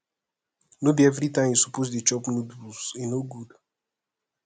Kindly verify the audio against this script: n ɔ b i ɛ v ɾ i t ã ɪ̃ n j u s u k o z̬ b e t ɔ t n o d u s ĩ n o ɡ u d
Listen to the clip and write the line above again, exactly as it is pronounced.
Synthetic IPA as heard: n o b i ɛ v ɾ i t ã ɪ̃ m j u s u p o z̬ d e t͡ʃ ɔ p n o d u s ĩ n o ɡ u d